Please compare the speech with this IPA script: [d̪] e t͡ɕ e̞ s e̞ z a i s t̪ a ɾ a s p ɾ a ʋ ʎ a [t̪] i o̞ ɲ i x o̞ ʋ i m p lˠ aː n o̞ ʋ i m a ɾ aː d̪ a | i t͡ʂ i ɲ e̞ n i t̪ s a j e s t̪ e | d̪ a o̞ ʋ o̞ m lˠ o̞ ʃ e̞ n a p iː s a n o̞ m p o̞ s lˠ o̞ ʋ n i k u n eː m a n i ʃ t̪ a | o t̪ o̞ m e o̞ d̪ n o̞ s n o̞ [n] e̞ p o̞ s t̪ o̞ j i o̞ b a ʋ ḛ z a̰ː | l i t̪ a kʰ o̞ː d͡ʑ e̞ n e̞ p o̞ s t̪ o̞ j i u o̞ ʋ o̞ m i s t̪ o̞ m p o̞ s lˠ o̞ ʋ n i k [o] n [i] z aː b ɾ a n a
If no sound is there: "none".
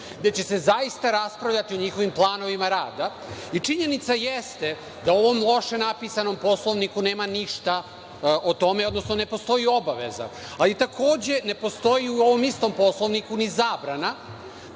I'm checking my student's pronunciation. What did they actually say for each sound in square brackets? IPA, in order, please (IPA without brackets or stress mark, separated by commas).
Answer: d̪, t̪, n, u, i